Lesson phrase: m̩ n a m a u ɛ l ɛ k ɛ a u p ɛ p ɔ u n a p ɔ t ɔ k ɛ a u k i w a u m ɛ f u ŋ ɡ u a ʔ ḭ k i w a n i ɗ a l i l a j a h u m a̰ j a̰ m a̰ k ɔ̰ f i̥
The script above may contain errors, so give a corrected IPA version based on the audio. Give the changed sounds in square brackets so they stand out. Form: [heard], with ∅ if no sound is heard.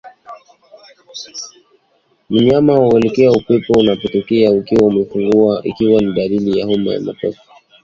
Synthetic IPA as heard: m̩ [ɲ] a m a u ɛ l ɛ k ɛ a u p ɛ p ɔ u n a p ɔ t ɔ k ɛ a u k i w a u m ɛ f u ŋ ɡ u a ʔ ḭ k i w a n i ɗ a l i l [i] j a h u m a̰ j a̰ m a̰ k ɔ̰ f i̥